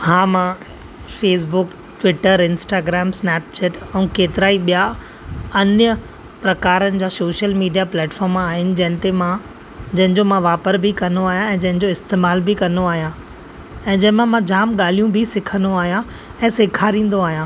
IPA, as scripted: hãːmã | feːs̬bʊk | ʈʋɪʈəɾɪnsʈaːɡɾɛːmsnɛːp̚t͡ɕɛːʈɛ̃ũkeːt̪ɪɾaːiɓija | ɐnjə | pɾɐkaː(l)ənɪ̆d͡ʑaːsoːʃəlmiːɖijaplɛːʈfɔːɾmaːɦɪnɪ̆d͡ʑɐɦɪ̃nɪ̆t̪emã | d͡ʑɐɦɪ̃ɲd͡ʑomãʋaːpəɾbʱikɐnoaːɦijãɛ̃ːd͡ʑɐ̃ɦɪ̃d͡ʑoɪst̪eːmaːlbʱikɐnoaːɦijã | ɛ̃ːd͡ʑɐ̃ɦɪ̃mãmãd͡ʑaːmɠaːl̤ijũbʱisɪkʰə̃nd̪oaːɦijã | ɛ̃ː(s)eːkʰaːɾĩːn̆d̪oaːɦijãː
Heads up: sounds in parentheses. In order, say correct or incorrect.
incorrect: ɾ, correct

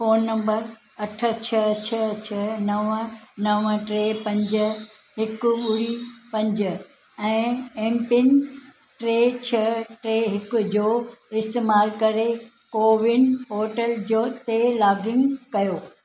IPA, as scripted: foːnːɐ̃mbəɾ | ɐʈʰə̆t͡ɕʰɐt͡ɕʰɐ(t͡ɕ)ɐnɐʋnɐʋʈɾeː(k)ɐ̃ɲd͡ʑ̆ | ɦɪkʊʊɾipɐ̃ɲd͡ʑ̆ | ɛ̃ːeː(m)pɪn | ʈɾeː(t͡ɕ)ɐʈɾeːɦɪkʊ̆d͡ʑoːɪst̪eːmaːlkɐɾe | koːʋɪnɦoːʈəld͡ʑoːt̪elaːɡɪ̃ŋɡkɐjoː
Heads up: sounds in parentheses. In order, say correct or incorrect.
incorrect: t͡ɕʰ, incorrect: p, correct, incorrect: t͡ɕʰ

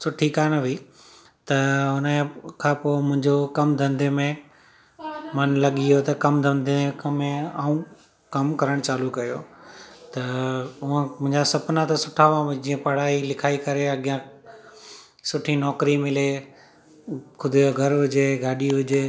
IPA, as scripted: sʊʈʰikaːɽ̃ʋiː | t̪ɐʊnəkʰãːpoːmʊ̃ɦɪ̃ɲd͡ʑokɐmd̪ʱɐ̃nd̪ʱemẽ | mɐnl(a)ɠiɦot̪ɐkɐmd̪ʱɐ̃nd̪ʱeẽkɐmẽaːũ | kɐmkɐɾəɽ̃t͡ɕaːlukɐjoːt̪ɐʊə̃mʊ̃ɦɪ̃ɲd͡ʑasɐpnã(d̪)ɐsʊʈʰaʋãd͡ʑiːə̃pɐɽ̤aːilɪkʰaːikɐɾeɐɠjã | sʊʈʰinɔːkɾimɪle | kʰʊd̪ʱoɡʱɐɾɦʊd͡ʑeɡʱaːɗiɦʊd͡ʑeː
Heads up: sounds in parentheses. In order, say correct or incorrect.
incorrect: ɐ, incorrect: t̪

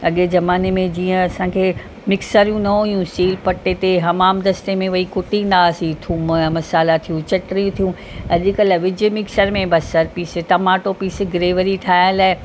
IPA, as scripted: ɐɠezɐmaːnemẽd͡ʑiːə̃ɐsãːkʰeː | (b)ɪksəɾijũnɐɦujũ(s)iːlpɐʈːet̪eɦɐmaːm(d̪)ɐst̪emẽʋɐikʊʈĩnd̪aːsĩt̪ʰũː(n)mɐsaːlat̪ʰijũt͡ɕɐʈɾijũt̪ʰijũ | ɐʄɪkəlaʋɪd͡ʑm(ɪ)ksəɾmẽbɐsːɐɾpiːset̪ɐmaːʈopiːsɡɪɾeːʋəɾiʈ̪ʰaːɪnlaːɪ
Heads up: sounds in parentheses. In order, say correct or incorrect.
incorrect: m, correct, correct, incorrect: m, correct

